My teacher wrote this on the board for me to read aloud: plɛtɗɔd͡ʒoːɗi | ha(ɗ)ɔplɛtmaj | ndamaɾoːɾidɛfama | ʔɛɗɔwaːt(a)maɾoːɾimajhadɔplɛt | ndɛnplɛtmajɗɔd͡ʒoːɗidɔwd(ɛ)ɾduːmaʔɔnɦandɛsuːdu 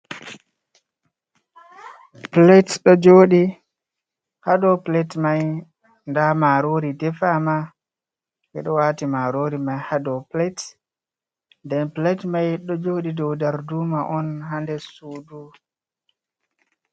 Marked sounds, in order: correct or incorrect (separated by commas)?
incorrect, incorrect, incorrect